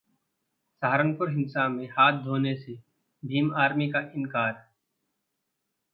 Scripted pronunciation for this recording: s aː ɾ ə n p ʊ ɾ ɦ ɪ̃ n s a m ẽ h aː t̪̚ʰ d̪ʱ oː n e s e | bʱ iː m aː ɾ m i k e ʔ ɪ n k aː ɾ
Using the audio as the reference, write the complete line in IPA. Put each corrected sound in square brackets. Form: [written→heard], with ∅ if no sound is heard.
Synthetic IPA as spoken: s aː ɾ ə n p ʊ ɾ ɦ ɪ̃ n s a m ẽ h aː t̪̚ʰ d̪ʱ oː n e s e | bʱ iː m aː ɾ m i k [e→a] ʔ ɪ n k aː ɾ

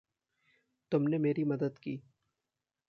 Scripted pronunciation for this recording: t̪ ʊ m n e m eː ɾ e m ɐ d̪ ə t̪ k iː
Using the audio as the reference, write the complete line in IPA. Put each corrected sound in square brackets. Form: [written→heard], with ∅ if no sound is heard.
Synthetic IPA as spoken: t̪ ʊ m n e m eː ɾ [e→i] m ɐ d̪ ə [t̪→d̪] k iː

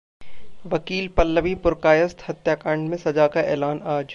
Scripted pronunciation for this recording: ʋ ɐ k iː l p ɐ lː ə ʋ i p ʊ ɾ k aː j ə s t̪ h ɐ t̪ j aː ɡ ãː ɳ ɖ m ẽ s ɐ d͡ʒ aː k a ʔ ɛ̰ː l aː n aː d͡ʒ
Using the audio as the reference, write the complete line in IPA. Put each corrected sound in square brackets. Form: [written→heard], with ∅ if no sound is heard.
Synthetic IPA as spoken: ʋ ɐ k iː l p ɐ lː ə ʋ i p ʊ ɾ k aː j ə s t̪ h ɐ t̪ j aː [ɡ→k] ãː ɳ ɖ m ẽ s ɐ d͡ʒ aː k a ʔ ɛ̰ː l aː n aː d͡ʒ

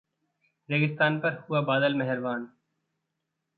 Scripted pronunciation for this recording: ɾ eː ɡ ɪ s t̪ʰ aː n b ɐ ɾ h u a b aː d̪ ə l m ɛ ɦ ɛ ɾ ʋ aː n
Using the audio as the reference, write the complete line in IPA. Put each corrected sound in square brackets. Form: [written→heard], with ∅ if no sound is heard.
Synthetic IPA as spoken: ɾ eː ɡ ɪ s [t̪ʰ→t̪] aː n [b→p] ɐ ɾ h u a b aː d̪ ə l m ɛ ɦ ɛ ɾ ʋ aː n

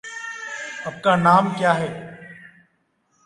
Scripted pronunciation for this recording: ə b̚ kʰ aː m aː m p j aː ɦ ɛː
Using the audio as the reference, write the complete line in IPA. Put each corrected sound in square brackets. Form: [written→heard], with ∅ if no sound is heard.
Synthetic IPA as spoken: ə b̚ [kʰ→k] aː [m→n] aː m [p→k] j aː ɦ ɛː

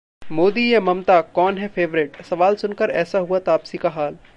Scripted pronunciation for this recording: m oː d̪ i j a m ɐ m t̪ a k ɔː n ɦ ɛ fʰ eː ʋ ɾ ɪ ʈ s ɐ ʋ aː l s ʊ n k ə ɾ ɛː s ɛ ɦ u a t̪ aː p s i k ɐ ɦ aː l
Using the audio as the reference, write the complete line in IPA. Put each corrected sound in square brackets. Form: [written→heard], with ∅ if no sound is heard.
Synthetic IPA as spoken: m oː d̪ i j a m ɐ m t̪ a k ɔː n ɦ ɛ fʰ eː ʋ ɾ ɪ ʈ s ɐ ʋ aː l s ʊ n k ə ɾ ɛː s [ɛ→a] ɦ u a t̪ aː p s i k [ɐ→a] ɦ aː l

